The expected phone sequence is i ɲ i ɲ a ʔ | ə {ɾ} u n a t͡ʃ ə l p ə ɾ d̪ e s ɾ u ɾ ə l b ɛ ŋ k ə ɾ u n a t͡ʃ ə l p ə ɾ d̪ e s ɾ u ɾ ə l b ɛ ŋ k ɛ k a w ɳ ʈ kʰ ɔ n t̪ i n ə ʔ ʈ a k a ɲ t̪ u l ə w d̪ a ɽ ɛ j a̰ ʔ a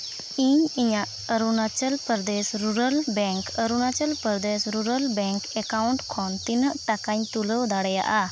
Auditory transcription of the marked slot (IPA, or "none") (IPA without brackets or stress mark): ɾ